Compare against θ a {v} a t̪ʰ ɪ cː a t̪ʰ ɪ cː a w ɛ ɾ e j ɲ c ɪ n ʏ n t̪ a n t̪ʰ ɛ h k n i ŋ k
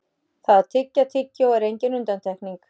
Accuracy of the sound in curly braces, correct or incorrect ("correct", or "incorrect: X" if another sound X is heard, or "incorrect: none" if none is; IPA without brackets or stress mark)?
incorrect: ð